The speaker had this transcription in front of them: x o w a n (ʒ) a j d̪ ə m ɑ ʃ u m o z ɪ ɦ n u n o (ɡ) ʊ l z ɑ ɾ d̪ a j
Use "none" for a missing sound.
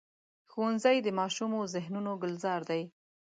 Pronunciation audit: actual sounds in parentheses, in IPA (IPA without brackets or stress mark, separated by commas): z, ɡ